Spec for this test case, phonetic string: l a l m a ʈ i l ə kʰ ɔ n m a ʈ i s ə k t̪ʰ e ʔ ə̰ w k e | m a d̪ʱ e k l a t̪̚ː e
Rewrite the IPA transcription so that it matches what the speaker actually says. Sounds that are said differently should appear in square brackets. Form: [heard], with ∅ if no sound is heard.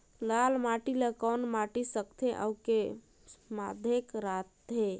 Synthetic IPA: l a l m a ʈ i l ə [k] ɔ n m a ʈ i s ə k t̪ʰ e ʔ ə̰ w k e | m a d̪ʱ e k [ɾ] a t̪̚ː e